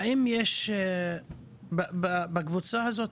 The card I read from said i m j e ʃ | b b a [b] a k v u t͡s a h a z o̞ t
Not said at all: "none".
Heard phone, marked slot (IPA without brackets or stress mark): b